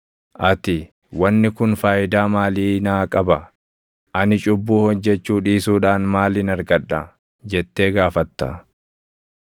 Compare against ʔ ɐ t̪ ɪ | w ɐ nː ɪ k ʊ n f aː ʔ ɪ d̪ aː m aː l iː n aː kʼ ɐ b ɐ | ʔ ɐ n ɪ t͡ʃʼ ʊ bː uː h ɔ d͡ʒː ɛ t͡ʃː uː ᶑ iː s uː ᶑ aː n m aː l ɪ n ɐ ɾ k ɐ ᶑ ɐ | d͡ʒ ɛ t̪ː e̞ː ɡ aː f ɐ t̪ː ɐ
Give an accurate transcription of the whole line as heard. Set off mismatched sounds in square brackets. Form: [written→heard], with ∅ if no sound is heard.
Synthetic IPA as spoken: ʔ ɐ t̪ ɪ | w ɐ nː ɪ k ʊ n f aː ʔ ɪ d̪ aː m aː l iː n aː kʼ ɐ b ɐ | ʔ ɐ n ɪ t͡ʃʼ ʊ bː uː h ɔ d͡ʒː ɛ t͡ʃː uː ᶑ iː s uː ᶑ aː n m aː l ɪ n ɐ ɾ [k→ɡ] ɐ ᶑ ɐ | d͡ʒ ɛ t̪ː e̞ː ɡ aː f ɐ t̪ː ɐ

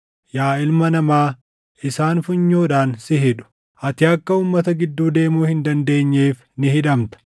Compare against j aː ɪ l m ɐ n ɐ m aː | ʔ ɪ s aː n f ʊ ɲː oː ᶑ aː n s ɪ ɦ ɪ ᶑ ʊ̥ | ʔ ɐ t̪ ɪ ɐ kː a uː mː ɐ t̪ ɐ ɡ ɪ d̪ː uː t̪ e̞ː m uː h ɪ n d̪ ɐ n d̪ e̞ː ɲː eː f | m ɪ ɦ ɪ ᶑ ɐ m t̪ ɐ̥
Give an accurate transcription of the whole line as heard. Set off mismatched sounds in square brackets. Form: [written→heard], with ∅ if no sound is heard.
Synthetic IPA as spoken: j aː ɪ l m ɐ n ɐ m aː | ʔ ɪ s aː n f ʊ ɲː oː ᶑ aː n s ɪ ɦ ɪ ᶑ ʊ̥ | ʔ ɐ t̪ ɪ ɐ kː [a→ɐ] uː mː ɐ t̪ ɐ ɡ ɪ d̪ː uː [t̪→d̪] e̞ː m uː h ɪ n d̪ ɐ n d̪ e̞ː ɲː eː f | [m→n] ɪ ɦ ɪ ᶑ ɐ m t̪ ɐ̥

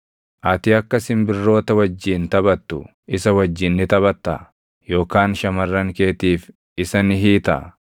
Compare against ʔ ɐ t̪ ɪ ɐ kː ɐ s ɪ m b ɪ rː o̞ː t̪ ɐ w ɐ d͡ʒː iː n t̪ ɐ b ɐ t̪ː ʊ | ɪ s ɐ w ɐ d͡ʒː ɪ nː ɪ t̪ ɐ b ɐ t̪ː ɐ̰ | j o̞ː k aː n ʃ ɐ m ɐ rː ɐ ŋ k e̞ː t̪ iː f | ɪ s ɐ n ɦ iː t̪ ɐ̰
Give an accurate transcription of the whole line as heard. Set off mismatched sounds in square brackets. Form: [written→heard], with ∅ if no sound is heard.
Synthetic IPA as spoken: ʔ ɐ t̪ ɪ ɐ kː ɐ s ɪ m b ɪ rː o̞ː t̪ ɐ w ɐ d͡ʒː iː n t̪ ɐ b ɐ t̪ː ʊ | ɪ s ɐ w ɐ d͡ʒː ɪ nː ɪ t̪ ɐ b ɐ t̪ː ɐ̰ | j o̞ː k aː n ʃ ɐ m ɐ rː ɐ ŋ k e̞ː t̪ iː f | ɪ s ɐ n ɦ iː t̪ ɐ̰

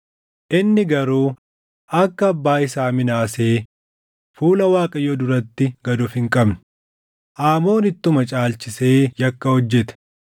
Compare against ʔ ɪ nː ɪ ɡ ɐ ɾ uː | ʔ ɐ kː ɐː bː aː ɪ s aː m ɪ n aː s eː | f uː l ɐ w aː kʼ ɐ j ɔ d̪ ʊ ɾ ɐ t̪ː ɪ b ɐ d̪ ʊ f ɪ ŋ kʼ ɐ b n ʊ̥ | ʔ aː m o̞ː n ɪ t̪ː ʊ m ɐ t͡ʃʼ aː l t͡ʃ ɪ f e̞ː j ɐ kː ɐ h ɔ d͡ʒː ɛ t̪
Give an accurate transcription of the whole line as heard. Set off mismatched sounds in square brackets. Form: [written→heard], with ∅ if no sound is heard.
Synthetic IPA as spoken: ʔ ɪ nː ɪ ɡ ɐ ɾ uː | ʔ ɐ kː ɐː bː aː ɪ s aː m ɪ n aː s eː | f uː l ɐ w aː kʼ ɐ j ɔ d̪ ʊ ɾ ɐ t̪ː ɪ [b→ɡ] ɐ d̪ ʊ f ɪ ŋ kʼ ɐ b n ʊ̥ | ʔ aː m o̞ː n ɪ t̪ː ʊ m ɐ t͡ʃʼ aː l t͡ʃ ɪ [f→s] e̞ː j ɐ kː ɐ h ɔ d͡ʒː ɛ t̪

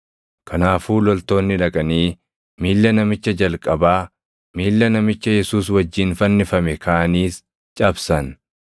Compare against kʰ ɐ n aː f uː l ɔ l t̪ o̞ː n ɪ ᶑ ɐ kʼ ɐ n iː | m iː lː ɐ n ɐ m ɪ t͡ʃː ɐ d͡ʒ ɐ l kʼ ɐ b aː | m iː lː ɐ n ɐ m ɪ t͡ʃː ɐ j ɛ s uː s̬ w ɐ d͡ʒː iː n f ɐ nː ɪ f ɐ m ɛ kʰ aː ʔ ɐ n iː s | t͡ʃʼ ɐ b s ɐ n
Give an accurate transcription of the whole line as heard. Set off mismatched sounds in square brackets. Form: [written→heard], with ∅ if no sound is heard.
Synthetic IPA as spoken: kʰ ɐ n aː f uː l ɔ l t̪ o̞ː [n→nː] ɪ ᶑ ɐ kʼ ɐ n iː | m iː lː ɐ n ɐ m ɪ t͡ʃː ɐ d͡ʒ ɐ l kʼ ɐ b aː | m iː lː ɐ n ɐ m ɪ t͡ʃː ɐ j ɛ s uː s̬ w ɐ d͡ʒː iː n f ɐ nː ɪ f ɐ m ɛ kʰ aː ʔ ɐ n iː s | t͡ʃʼ ɐ b s ɐ n

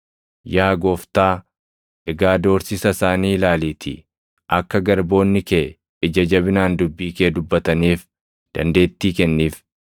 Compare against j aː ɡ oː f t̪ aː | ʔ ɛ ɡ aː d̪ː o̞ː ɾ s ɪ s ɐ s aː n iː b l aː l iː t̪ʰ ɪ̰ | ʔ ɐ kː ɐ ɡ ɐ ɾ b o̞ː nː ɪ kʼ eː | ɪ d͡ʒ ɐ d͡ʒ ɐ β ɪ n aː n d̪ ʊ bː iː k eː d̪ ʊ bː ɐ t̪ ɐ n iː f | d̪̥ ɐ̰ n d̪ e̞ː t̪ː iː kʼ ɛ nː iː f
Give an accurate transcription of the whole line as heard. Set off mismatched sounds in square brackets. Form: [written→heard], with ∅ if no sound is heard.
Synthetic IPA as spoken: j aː ɡ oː f t̪ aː | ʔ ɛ ɡ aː [d̪ː→d̪] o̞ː ɾ s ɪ s ɐ s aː n iː [b→∅] l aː l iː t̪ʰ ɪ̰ | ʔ ɐ kː ɐ ɡ ɐ ɾ b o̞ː nː ɪ [kʼ→k] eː | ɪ d͡ʒ ɐ d͡ʒ ɐ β ɪ n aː n d̪ ʊ bː iː k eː d̪ ʊ bː ɐ t̪ ɐ n iː f | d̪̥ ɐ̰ n d̪ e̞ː t̪ː iː [kʼ→k] ɛ nː iː f

